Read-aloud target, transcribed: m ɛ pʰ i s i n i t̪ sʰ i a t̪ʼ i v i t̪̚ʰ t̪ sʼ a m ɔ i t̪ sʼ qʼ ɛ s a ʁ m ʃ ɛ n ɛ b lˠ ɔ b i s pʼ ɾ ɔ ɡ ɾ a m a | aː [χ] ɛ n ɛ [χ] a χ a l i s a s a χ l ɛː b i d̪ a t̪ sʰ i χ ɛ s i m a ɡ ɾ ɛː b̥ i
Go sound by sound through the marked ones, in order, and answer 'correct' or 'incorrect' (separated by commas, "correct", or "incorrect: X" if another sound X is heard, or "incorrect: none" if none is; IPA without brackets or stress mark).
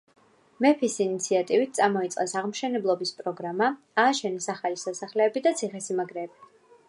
incorrect: ʃ, incorrect: s